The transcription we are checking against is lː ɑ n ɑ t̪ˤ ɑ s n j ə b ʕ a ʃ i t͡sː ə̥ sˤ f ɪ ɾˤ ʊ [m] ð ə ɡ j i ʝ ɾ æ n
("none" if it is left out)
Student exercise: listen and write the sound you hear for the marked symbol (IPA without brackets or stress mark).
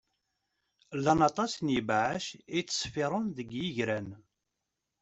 n